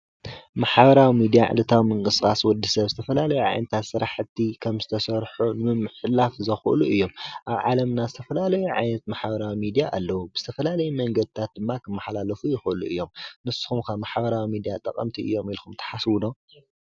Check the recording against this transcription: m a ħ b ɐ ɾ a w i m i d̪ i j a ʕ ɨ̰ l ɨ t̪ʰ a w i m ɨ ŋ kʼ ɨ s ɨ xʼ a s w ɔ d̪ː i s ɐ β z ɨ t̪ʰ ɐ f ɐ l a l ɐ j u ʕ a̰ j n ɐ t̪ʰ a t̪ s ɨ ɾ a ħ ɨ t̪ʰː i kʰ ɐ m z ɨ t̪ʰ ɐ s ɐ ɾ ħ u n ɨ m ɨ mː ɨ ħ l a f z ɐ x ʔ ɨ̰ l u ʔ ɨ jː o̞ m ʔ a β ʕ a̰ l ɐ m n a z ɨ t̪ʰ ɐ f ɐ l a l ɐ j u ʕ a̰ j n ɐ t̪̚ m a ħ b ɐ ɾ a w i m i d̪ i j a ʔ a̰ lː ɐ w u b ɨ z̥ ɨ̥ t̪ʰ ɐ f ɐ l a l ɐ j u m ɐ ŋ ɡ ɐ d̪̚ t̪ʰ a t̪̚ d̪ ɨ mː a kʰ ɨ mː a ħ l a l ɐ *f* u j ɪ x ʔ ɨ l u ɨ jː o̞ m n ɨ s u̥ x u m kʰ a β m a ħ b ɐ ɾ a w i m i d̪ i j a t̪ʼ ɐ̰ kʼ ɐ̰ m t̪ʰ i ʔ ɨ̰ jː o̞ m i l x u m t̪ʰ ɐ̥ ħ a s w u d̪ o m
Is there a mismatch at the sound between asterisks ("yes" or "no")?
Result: no